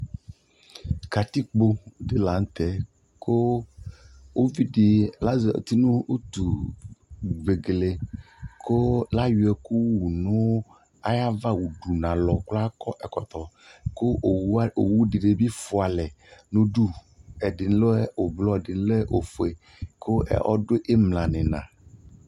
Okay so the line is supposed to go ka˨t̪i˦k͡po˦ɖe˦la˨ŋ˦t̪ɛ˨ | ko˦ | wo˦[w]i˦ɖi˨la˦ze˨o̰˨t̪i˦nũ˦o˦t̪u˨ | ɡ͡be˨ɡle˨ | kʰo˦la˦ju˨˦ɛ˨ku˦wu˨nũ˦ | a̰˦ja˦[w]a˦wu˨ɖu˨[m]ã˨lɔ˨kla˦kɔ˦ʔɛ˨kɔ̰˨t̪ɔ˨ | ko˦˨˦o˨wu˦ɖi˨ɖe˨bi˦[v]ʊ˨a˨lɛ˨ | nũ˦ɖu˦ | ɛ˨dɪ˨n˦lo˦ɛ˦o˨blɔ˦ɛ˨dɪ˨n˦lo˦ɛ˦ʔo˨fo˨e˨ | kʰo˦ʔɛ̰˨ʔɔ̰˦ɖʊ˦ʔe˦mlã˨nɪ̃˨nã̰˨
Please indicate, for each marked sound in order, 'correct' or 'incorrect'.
incorrect, incorrect, incorrect, incorrect

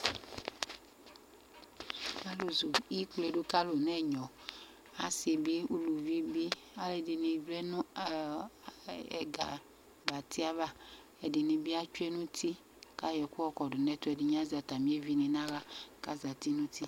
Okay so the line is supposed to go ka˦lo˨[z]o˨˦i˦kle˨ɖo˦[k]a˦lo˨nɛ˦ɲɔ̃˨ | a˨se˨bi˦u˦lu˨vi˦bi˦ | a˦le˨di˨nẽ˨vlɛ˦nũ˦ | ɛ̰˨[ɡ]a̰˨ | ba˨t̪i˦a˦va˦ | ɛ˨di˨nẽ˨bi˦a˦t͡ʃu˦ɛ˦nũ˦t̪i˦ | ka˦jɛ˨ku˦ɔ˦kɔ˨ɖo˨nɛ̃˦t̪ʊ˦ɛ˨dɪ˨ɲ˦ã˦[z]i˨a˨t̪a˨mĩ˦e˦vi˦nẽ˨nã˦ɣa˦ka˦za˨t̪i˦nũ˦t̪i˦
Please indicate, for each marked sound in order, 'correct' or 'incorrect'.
correct, correct, correct, correct

